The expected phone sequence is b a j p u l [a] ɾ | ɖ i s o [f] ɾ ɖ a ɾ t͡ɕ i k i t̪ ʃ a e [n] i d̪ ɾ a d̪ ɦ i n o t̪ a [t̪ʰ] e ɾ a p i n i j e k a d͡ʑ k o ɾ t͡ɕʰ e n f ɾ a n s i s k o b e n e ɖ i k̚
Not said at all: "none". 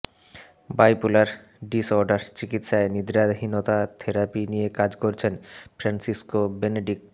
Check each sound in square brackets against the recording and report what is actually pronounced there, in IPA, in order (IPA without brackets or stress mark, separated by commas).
a, none, n, t̪ʰ